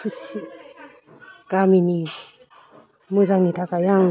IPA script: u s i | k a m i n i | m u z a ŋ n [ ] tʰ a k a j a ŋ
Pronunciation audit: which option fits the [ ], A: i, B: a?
A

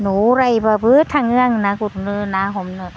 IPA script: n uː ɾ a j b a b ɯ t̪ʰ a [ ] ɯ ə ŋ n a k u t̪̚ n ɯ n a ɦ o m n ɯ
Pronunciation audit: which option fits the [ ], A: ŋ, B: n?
A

